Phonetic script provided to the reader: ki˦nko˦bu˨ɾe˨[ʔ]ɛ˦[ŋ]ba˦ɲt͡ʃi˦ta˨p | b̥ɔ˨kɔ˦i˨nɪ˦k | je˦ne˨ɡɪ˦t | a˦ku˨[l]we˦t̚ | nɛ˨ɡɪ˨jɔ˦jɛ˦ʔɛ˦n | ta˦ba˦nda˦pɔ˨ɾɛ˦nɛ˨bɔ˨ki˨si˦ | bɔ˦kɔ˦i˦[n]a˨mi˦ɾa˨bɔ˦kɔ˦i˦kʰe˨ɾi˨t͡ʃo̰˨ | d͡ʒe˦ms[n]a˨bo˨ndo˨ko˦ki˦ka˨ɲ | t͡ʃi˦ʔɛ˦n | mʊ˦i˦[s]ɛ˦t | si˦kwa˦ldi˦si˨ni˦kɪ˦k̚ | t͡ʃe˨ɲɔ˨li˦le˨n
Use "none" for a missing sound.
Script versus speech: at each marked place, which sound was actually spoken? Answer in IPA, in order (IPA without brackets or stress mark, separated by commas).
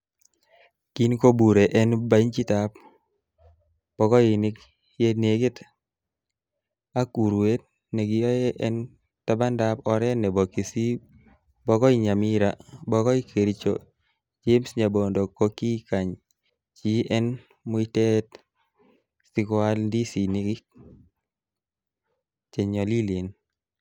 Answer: ʔ, n, ɾ, ɲ, ɲ, t